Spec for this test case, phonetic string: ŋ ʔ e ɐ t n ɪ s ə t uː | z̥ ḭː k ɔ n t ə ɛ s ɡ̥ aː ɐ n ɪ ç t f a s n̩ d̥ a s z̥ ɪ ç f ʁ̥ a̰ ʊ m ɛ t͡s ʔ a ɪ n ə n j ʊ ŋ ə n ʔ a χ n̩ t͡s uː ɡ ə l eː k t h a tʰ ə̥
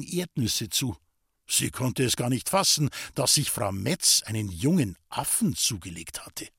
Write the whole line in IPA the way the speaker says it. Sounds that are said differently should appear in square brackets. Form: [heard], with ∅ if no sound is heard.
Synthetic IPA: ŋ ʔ e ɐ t n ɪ s ə [t͡s] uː | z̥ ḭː [kʰ] ɔ n t ə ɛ s ɡ̥ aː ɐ n ɪ ç t f a s n̩ d̥ a s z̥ ɪ ç f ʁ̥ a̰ ʊ m ɛ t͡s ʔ a ɪ n ə n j ʊ ŋ ə n ʔ a [f] n̩ t͡s uː ɡ ə l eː k t h a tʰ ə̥